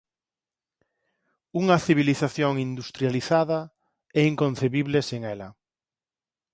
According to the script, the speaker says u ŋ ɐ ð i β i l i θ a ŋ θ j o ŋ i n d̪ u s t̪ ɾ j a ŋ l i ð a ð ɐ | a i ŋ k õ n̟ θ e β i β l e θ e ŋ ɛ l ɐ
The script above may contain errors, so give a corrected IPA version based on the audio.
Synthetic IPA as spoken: u ŋ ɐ θ i β i l i θ a θ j o ŋ i n d̪ u s t̪ ɾ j a l i θ a ð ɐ | ɛ i ŋ k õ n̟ θ e β i β l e s e ŋ ɛ l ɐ